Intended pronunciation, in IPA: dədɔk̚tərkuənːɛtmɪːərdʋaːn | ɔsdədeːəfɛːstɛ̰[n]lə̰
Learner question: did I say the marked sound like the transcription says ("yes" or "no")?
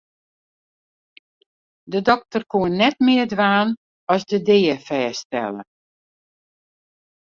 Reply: no